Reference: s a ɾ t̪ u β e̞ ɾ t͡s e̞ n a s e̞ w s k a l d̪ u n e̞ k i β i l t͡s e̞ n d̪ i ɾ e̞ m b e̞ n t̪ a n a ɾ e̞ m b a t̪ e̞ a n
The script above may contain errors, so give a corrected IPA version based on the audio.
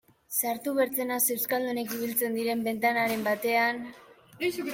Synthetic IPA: s a ɾ t̪ u β e̞ ɾ t͡s e̞ n a s e̞ w s k a l d̪ u n e̞ k i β i l t͡s e̞ n d̪ i ɾ e̞ m b e̞ n t̪ a n a ɾ e̞ m b a t̪ e̞ a n